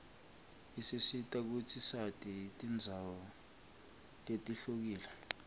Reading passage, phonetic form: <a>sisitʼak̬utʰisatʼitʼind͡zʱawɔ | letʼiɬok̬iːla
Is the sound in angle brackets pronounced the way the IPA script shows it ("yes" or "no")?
no